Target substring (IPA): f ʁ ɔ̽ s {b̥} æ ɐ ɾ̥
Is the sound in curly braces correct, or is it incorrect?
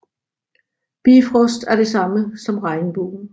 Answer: incorrect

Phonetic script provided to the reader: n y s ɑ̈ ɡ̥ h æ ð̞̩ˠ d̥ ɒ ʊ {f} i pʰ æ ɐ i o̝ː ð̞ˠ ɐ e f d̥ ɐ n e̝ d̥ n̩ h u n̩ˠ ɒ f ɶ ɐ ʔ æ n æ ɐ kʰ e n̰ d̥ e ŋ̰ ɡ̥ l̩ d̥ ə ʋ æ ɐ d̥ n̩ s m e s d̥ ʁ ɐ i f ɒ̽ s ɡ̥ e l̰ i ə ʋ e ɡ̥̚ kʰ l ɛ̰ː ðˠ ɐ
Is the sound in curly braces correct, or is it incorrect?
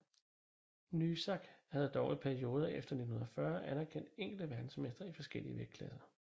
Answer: incorrect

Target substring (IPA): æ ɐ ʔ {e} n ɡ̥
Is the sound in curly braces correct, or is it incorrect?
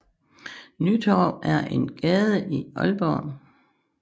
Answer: correct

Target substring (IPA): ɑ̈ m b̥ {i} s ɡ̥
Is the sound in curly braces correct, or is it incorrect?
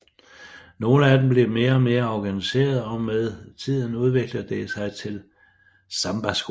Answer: incorrect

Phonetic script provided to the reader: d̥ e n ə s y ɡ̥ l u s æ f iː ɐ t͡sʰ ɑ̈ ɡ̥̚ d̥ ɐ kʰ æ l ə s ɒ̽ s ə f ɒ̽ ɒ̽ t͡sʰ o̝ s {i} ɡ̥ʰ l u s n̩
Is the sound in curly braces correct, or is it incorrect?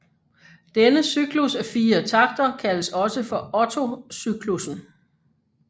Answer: incorrect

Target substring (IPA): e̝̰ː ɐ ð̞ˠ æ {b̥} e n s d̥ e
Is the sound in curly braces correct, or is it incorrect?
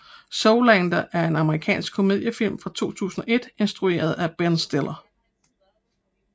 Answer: correct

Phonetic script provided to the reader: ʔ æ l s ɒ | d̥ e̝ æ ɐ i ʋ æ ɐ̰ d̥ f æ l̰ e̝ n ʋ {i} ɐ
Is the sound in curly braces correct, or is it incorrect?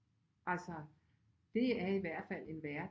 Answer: incorrect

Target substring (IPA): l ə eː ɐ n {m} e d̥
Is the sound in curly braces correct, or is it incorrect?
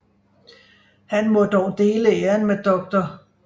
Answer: correct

